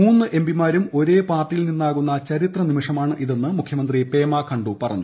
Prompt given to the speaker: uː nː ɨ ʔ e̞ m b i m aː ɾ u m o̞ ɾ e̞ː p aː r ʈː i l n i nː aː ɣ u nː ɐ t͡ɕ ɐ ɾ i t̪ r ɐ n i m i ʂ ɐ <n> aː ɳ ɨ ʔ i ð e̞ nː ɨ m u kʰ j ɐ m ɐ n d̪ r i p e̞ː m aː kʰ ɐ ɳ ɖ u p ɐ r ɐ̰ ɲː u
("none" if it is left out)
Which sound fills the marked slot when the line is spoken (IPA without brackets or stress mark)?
m